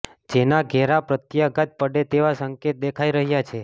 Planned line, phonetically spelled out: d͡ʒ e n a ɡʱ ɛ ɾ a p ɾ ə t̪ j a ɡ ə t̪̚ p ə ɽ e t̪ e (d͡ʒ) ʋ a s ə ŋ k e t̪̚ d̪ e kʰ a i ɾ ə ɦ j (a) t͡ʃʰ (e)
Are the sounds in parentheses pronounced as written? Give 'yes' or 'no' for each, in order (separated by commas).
no, yes, yes